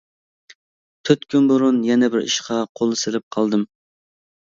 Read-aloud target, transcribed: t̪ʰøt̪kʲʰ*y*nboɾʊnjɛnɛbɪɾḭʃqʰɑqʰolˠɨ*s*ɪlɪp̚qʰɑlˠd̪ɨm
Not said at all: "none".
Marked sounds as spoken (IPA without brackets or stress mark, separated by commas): y, s